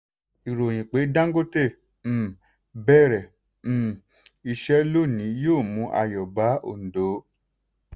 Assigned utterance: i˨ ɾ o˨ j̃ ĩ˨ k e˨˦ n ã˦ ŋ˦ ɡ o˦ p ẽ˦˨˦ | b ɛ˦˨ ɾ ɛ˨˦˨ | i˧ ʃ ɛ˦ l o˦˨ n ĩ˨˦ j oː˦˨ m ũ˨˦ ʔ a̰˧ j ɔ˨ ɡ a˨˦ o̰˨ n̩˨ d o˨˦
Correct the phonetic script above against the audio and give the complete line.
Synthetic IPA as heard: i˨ ɾ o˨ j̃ ĩ˨ k͡p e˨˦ d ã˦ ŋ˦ ɡ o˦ t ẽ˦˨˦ | b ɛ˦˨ ɾ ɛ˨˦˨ | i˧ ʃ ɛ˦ l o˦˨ n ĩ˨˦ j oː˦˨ m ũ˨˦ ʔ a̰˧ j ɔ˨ b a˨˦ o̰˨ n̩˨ d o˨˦